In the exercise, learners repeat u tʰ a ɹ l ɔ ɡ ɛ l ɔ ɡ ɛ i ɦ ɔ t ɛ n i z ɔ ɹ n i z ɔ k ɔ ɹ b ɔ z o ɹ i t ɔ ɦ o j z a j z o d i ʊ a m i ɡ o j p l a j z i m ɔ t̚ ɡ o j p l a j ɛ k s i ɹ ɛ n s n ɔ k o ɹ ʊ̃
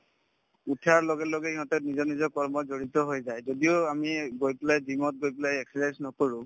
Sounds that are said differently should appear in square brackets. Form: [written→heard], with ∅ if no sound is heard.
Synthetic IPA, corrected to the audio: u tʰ a ɹ l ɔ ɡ ɛ l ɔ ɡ ɛ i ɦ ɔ t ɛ n i z ɔ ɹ n i z ɔ k ɔ ɹ [b→m] ɔ z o ɹ i t ɔ ɦ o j z a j z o d i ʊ a m i ɡ o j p l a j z i m ɔ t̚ ɡ o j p l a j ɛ k s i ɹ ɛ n s n ɔ k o ɹ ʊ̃